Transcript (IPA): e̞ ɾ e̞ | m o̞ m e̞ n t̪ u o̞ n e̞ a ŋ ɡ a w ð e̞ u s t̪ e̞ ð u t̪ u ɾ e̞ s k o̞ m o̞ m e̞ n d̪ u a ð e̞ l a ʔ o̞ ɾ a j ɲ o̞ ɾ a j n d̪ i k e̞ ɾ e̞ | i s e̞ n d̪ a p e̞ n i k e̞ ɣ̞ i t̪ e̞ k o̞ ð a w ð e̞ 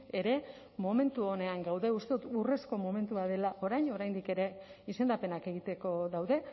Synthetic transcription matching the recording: e̞ ɾ e̞ | m o̞ m e̞ n t̪ u o̞ n e̞ a ŋ ɡ a w ð e̞ u s t̪ e̞ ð u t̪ u r e̞ s k o̞ m o̞ m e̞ n t̪ u a ð e̞ l a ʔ o̞ ɾ a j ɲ o̞ ɾ a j n d̪ i k e̞ ɾ e̞ | i s e̞ n d̪ a p e̞ n a k e̞ ɣ̞ i t̪ e̞ k o̞ ð a w ð e̞

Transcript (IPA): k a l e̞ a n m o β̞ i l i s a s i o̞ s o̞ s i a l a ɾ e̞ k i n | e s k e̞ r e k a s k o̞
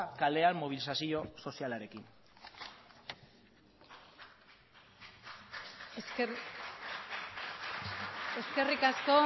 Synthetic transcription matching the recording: k a l e̞ a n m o β̞ i l i s a s i o̞ s o̞ s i a l a ɾ e̞ k i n | e s k e̞ r i k a s k o̞

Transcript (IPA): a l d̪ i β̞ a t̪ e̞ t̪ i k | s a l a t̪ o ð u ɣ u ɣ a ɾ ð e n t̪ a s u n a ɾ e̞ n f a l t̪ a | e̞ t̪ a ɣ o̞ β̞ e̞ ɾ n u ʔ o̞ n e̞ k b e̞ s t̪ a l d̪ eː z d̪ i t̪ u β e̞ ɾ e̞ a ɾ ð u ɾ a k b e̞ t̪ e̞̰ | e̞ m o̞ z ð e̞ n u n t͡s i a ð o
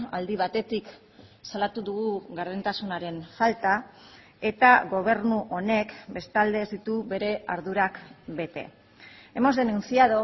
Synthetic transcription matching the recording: a l d̪ i β̞ a t̪ e̞ t̪ i k | s a l a t̪ u ð u ɣ u ɣ a ɾ ð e n t̪ a s u n a ɾ e̞ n f a l t̪ a | e̞ t̪ a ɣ o̞ β̞ e̞ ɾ n u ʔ o̞ n e̞ k b e̞ s t̪ a l d̪ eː z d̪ i t̪ u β e̞ ɾ e̞ a ɾ ð u ɾ a k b e̞ t̪ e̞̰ | e̞ m o̞ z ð e̞ n u n t͡s i a ð o

